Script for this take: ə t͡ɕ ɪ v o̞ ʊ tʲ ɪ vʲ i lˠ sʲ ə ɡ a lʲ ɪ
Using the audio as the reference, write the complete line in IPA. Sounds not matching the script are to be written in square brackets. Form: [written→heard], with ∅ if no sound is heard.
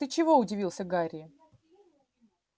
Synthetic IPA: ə t͡ɕ ɪ v o̞ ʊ [tʲ→dʲ] ɪ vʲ i lˠ sʲ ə ɡ a [lʲ→ɾʲ] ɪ